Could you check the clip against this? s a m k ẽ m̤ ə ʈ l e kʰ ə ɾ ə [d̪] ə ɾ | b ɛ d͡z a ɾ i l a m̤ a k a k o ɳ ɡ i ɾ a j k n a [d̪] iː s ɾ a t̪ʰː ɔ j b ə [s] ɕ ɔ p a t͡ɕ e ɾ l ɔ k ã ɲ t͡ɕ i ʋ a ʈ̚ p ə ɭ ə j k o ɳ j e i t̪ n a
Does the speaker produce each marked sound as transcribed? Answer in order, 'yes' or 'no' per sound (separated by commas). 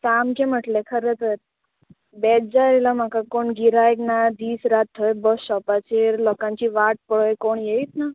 no, yes, yes